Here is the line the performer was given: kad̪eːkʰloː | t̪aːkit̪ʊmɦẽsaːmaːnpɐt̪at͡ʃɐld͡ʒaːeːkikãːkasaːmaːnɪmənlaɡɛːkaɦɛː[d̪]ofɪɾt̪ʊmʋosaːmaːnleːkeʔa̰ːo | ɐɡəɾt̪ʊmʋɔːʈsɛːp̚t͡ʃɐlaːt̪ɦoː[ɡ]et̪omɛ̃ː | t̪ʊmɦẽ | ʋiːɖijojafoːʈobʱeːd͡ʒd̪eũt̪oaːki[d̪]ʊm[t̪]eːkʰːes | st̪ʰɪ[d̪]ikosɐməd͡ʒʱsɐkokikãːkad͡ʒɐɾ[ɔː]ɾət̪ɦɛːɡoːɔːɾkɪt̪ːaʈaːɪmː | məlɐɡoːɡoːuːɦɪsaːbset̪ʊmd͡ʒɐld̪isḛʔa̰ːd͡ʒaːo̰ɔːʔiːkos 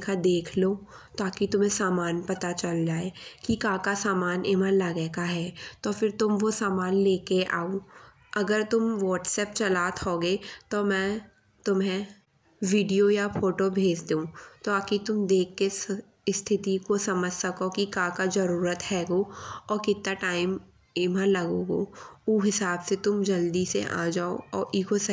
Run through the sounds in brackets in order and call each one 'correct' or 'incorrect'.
incorrect: t̪, correct, incorrect: t̪, incorrect: d̪, incorrect: t̪, incorrect: uː

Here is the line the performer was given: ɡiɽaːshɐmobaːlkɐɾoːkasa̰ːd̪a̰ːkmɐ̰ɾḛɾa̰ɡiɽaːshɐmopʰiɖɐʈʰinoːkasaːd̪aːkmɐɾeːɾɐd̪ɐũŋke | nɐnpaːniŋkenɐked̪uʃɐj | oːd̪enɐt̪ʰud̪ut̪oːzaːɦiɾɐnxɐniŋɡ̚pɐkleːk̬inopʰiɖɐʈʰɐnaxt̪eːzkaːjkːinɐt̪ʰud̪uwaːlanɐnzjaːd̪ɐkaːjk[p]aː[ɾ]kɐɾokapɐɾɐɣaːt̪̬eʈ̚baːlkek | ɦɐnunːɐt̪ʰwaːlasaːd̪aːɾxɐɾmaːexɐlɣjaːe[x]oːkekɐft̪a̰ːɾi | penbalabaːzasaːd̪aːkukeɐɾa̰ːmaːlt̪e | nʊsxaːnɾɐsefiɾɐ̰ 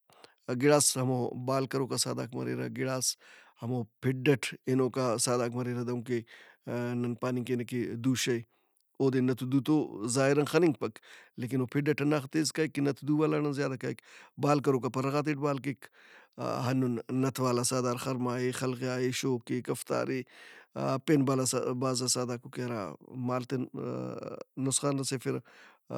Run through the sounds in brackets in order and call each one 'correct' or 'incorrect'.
incorrect: b, incorrect: l, incorrect: ʃ

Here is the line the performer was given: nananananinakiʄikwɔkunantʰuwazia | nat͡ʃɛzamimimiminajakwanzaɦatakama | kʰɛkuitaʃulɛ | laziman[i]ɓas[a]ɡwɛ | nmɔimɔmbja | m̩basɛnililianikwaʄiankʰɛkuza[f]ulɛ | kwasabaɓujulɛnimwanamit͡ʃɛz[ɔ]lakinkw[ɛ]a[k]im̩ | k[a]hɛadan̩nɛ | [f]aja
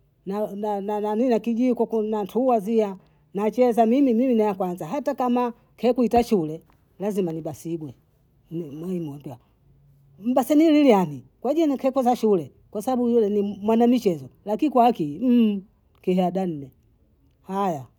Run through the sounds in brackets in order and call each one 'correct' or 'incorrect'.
correct, incorrect: i, incorrect: ʃ, correct, incorrect: a, correct, incorrect: i, incorrect: h

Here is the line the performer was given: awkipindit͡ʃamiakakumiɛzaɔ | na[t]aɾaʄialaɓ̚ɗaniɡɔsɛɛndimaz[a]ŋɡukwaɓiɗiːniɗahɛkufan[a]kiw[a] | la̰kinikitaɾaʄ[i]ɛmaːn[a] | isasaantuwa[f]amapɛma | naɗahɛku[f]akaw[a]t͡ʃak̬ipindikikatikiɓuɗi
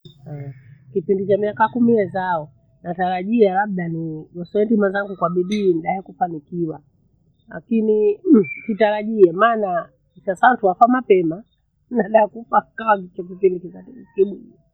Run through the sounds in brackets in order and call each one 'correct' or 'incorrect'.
correct, correct, incorrect: i, correct, correct, correct, correct, correct, correct

